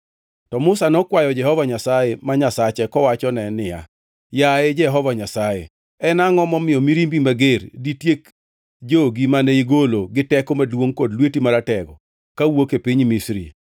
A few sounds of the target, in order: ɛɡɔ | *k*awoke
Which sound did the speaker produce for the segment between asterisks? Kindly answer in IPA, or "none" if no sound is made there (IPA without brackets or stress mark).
k